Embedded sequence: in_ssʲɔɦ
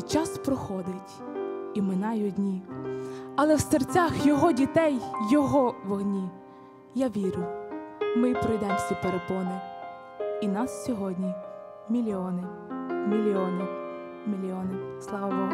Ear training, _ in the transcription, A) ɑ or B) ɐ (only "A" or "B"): A